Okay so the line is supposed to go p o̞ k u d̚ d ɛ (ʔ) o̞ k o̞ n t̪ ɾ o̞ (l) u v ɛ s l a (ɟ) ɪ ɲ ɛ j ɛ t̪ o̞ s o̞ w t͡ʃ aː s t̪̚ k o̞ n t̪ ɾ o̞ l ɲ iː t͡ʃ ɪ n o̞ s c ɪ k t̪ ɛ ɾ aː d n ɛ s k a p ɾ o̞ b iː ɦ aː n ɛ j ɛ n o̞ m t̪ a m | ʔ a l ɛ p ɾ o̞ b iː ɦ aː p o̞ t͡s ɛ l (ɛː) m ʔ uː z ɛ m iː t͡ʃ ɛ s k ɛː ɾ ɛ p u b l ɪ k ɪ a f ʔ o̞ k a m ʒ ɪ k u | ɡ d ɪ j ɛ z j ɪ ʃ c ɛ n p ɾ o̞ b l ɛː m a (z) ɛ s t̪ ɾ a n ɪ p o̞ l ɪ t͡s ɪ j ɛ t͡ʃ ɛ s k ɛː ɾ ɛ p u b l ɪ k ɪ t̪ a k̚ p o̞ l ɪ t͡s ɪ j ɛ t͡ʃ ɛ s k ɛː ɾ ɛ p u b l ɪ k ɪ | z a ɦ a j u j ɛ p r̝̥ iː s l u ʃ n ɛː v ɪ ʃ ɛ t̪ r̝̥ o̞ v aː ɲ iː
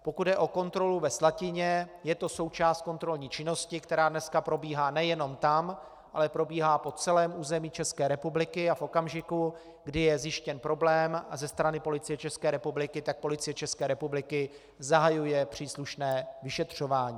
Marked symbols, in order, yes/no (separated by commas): yes, yes, no, yes, yes